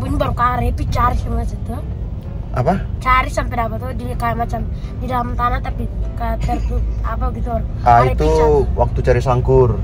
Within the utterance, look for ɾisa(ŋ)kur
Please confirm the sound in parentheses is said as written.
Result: yes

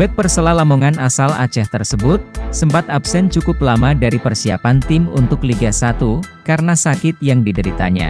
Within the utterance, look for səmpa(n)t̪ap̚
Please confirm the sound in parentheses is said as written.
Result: no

